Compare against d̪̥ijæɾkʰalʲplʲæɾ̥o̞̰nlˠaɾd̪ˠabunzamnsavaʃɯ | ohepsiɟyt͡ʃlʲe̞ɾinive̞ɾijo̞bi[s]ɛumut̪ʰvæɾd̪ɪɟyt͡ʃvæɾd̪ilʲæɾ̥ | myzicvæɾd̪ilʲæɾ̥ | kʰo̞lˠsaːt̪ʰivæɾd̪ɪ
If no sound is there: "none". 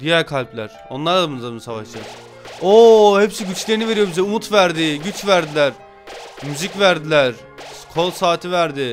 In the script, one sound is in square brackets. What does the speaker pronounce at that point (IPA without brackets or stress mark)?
z